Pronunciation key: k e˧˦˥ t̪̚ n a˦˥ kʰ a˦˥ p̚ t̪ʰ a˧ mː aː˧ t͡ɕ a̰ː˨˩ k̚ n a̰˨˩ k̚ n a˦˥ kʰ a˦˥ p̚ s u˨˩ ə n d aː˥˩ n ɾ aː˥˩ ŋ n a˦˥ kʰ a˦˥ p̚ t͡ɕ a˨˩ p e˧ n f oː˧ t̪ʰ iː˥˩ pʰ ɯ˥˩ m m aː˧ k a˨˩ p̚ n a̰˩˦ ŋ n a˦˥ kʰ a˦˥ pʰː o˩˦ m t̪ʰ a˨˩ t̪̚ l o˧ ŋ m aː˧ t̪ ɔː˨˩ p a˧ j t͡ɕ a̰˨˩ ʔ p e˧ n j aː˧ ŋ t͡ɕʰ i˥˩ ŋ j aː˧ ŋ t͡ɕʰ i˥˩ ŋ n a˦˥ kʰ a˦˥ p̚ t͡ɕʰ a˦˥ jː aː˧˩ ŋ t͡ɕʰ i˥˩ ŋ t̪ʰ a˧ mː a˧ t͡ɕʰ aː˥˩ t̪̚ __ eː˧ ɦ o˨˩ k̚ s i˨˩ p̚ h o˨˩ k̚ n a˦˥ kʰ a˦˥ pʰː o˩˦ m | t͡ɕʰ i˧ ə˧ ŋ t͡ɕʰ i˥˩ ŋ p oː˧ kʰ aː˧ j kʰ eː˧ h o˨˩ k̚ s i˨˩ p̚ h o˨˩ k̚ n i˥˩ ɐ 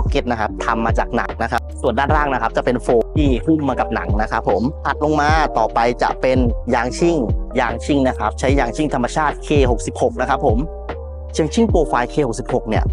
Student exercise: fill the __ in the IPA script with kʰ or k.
kʰ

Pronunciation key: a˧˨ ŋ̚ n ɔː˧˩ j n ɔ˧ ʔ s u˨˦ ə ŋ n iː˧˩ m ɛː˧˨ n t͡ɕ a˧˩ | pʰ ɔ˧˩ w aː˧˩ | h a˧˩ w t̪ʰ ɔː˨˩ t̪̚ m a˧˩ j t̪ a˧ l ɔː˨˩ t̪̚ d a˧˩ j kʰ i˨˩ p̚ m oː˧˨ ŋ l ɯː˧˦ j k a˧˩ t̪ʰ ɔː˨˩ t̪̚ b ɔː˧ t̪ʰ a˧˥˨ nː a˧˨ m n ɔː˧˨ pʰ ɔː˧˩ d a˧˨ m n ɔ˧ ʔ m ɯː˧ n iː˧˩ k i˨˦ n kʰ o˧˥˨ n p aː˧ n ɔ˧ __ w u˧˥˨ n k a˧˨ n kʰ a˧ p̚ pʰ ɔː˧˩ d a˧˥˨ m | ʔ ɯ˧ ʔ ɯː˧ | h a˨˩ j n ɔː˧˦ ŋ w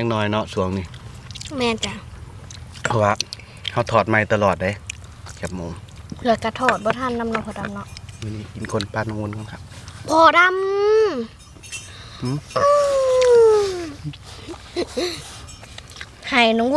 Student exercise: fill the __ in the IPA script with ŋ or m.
ŋ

